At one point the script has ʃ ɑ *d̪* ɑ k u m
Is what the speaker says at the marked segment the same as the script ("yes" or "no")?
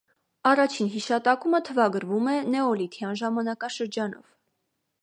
no